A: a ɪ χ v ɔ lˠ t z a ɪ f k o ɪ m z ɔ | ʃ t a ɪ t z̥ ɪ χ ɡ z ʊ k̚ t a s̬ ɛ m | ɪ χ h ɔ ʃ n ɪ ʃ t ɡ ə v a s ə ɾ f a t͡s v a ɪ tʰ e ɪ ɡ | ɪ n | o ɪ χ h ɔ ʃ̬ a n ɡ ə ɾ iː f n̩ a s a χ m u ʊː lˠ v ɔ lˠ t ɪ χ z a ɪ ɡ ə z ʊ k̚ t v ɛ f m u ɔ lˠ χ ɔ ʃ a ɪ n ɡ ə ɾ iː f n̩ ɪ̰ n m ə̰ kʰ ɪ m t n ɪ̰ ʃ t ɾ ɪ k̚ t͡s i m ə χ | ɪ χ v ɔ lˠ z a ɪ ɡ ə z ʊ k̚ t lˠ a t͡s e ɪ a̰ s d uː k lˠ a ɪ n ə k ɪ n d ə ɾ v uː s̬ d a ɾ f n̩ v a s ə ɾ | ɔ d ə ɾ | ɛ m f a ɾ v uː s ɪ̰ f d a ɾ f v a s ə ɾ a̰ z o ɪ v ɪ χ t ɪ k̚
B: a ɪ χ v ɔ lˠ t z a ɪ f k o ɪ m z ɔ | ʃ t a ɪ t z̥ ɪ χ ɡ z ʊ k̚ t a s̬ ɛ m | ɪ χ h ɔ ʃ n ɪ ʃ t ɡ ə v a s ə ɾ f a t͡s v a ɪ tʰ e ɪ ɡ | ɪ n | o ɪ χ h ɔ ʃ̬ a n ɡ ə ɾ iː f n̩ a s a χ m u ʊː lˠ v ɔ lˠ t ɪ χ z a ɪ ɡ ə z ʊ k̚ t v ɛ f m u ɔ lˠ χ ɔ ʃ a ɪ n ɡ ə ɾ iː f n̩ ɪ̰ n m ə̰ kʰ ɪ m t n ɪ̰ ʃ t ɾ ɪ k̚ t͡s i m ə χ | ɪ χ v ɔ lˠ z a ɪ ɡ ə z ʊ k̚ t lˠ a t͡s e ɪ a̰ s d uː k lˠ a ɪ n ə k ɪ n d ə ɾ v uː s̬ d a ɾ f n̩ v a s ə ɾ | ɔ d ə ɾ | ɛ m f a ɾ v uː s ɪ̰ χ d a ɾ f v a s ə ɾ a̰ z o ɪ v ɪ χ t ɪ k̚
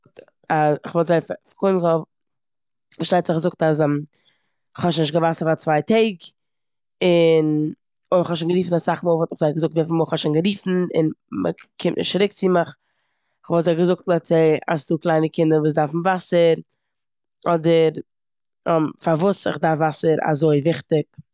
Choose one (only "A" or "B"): B